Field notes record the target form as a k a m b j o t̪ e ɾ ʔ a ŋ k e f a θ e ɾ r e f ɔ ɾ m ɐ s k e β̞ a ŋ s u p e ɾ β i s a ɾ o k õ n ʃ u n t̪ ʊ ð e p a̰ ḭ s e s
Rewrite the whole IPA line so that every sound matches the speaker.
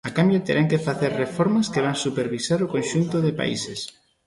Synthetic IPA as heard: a k a m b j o t̪ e ɾ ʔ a ŋ k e f a θ e ɾ r e f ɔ ɾ m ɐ s k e β̞ a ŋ s u p e ɾ β i s a ɾ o k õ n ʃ u n t̪ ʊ ð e p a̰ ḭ s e s